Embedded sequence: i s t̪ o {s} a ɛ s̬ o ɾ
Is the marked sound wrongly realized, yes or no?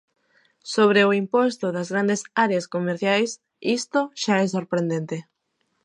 yes